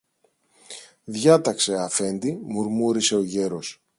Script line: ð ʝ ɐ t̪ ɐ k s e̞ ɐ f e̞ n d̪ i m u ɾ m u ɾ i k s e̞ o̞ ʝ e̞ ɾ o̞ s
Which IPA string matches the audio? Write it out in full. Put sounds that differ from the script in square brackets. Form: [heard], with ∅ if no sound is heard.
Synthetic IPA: ð ʝ ɐ t̪ ɐ k s e̞ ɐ f e̞ n d̪ i m u ɾ m u ɾ i [∅] s e̞ o̞ ʝ e̞ ɾ o̞ s